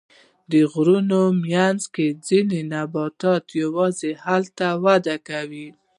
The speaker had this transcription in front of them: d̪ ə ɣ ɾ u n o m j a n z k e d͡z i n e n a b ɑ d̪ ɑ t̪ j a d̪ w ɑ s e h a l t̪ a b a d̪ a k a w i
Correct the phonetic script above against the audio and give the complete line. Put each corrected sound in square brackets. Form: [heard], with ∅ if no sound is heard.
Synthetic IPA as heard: d̪ ə ɣ ɾ u n o m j a n z k e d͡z i n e n a b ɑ [t̪] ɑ t̪ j a [∅] w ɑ [z] e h a l t̪ a [w] a d̪ a k a w i